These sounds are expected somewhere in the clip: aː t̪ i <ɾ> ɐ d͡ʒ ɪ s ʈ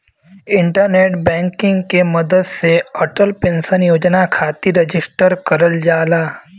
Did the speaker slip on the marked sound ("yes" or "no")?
no